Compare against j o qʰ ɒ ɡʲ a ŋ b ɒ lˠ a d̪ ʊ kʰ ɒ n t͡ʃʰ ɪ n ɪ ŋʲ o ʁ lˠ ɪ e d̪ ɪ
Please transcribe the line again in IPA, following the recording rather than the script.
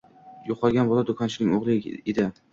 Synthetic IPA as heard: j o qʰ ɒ ɡʲ a n b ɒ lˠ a d̪ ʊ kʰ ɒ n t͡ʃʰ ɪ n ɪ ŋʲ o ʁ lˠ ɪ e d̪ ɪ